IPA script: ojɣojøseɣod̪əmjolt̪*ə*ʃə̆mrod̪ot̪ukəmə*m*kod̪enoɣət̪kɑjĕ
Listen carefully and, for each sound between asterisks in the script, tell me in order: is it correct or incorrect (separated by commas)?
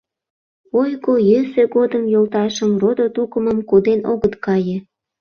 incorrect, correct